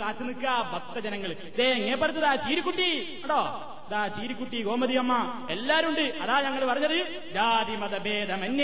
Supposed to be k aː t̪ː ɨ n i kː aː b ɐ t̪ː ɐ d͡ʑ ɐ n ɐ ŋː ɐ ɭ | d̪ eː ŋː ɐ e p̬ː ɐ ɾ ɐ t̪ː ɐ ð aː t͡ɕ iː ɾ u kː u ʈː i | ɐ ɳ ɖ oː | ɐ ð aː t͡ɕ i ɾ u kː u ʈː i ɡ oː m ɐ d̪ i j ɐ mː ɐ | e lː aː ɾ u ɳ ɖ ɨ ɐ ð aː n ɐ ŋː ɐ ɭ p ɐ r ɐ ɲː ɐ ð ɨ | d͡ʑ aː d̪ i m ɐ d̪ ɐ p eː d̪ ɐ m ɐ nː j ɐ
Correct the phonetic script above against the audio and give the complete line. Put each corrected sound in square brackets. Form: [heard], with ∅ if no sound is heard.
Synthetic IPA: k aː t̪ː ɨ n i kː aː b ɐ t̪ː ɐ d͡ʑ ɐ n ɐ ŋː ɐ ɭ | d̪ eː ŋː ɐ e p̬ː ɐ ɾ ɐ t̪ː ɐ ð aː t͡ɕ iː ɾ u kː u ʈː i | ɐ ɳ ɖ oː | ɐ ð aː t͡ɕ [iː] ɾ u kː u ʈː i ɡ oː m ɐ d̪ i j ɐ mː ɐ | e lː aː ɾ u ɳ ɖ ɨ ɐ ð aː [ɲ] ɐ ŋː ɐ ɭ p ɐ r ɐ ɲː ɐ ð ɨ | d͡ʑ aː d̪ i m ɐ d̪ ɐ [b] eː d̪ ɐ m ɐ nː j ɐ